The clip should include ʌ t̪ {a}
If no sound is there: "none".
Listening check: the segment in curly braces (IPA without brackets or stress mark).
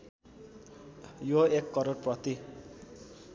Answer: i